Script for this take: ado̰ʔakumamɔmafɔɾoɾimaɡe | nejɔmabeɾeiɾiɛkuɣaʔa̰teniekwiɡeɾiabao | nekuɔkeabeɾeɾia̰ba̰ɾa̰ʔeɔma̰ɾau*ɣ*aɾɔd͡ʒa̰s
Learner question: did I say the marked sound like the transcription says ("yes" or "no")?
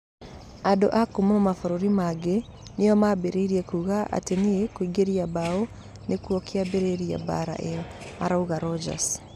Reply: yes